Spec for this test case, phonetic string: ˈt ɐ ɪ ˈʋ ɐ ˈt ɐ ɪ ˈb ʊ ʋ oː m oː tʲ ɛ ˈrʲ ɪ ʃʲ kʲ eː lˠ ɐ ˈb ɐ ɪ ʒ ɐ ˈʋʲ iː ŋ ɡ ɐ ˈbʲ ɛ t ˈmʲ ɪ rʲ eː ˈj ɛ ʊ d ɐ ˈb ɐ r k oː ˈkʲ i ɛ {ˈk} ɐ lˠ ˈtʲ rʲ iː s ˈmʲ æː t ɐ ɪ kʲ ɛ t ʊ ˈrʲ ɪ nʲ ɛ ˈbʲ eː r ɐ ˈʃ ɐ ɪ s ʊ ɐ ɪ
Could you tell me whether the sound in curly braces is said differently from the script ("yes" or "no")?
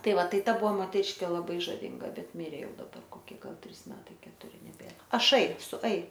yes